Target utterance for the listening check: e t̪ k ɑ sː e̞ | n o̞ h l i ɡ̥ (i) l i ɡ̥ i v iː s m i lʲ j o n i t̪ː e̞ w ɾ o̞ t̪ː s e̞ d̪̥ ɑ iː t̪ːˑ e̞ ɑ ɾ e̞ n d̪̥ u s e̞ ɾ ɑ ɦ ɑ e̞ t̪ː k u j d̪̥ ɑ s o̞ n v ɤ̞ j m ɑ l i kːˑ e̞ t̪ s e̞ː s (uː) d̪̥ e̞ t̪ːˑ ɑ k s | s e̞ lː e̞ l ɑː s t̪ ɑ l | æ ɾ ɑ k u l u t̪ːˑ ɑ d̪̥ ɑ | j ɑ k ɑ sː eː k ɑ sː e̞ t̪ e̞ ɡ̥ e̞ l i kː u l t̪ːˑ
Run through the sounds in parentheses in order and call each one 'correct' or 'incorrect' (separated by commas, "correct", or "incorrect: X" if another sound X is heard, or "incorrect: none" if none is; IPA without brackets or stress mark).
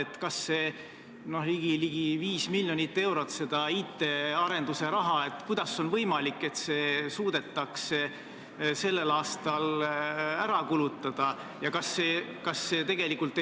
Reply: correct, correct